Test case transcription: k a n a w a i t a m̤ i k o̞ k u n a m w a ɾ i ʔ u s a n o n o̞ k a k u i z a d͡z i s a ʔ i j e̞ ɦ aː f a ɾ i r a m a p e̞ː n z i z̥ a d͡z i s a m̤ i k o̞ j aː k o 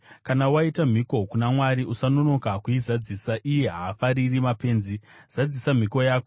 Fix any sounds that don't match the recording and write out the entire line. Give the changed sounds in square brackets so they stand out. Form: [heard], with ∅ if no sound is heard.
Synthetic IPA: k a n a w a i t a m̤ i k o̞ k u n a m w a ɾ i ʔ u s a n o n o̞ k a k u i z a d͡z i s a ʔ i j e̞ ɦ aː f a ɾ i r [i] m a p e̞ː n z i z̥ a d͡z i s a m̤ i k o̞ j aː k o